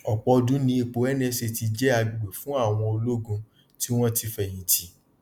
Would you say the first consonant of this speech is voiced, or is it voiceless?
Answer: voiceless